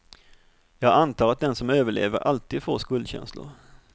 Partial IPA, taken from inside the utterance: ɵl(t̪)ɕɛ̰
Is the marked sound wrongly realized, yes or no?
yes